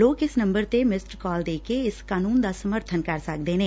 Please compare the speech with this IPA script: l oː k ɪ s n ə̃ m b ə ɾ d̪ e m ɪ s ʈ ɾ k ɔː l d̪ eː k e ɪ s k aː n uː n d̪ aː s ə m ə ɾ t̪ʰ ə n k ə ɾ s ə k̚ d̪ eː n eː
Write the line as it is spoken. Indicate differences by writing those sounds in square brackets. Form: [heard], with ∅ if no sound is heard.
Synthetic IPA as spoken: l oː k ɪ s n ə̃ m b ə ɾ [t̪] e m ɪ s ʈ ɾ k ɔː l d̪ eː k e ɪ s k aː n uː n d̪ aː s ə m ə ɾ t̪ʰ ə n k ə ɾ s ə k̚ d̪ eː n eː